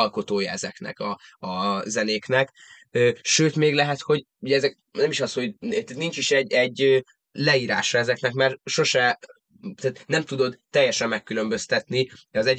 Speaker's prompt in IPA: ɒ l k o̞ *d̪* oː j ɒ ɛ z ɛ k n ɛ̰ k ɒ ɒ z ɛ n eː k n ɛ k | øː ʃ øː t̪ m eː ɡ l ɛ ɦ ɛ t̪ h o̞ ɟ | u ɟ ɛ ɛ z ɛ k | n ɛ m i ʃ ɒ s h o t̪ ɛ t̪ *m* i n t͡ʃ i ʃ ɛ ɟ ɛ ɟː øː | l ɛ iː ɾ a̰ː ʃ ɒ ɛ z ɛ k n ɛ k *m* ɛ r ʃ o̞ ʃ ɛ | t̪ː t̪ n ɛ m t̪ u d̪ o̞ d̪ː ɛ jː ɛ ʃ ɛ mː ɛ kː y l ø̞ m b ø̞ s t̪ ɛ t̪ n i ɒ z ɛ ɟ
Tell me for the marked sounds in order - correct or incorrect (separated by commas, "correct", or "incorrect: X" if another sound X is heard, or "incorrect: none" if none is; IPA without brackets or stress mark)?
incorrect: t̪, incorrect: n, correct